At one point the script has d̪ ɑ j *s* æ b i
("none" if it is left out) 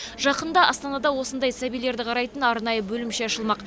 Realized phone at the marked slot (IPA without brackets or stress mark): s